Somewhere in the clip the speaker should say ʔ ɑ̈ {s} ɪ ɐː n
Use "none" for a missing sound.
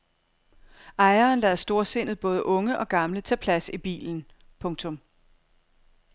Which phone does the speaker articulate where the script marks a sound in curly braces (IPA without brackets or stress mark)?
none